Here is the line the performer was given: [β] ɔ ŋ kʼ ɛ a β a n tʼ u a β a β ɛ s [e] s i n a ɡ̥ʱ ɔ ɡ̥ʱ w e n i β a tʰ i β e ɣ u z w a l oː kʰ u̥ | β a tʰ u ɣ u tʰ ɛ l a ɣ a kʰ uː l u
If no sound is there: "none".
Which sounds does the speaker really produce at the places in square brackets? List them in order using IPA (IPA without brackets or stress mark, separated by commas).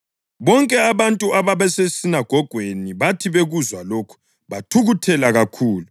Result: β, e